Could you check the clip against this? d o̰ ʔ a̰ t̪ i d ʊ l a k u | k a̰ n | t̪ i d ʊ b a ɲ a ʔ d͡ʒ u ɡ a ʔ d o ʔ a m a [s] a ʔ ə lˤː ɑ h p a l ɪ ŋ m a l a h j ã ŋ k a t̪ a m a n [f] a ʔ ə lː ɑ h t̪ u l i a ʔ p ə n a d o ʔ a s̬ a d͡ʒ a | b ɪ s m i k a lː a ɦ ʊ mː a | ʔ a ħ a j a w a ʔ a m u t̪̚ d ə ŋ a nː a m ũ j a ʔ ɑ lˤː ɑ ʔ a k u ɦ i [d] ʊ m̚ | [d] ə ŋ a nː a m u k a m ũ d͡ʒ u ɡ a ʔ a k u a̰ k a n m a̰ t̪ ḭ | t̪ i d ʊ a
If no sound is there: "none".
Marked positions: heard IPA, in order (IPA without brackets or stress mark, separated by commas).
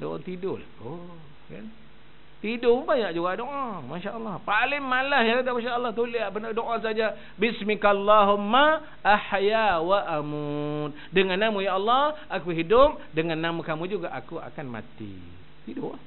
ʃ, ʃ, d, d